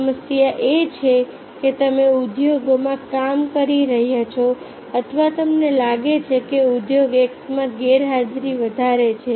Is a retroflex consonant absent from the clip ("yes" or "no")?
yes